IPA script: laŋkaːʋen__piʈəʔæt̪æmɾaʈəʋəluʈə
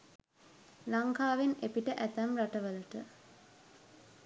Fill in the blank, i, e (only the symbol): e